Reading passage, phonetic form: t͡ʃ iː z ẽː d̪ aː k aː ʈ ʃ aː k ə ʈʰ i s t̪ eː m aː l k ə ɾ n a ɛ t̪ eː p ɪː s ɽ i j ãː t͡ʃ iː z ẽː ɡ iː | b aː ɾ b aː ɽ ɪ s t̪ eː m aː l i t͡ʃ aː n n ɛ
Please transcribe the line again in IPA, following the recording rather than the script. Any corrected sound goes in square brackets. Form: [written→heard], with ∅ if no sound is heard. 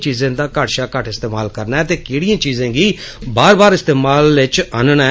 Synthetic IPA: t͡ʃ iː z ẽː d̪ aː k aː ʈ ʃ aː k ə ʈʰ [i→ɪ] s t̪ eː m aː l k ə ɾ n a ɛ t̪ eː [p→k] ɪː [s→∅] ɽ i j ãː t͡ʃ iː z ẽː ɡ iː | b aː ɾ b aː [ɽ→ɾ] ɪ s t̪ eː m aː l [i→ɪ] t͡ʃ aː n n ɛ